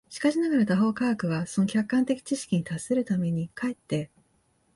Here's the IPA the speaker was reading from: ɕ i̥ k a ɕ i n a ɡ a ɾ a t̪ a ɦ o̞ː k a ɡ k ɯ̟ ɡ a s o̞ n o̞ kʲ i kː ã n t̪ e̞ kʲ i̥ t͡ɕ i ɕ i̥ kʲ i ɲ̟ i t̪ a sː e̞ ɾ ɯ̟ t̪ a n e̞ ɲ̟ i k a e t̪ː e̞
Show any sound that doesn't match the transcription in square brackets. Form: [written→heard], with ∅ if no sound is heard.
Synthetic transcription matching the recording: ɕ i̥ k a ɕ i n a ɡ a ɾ a t̪ a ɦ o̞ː k a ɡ k ɯ̟ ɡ a s o̞ n o̞ kʲ [i→a] kː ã n t̪ e̞ kʲ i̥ t͡ɕ i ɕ i̥ kʲ i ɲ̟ i t̪ a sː e̞ ɾ ɯ̟ t̪ a [n→m] e̞ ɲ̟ i k a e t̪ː e̞